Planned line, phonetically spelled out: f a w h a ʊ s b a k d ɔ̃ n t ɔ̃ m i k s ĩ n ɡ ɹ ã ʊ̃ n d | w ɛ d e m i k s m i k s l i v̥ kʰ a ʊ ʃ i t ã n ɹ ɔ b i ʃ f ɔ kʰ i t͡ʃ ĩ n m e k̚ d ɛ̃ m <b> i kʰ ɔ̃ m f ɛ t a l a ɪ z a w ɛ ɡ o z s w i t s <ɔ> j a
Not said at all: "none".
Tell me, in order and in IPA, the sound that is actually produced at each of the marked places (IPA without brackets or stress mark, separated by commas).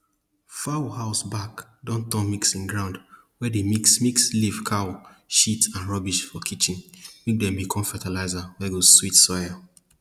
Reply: b, ɔ